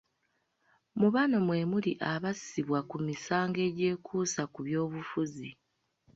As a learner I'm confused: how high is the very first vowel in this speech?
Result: high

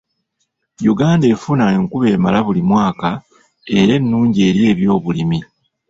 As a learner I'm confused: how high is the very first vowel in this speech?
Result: high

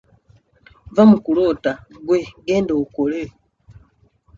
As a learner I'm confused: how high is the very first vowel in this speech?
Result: low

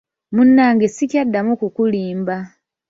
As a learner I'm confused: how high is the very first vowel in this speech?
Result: high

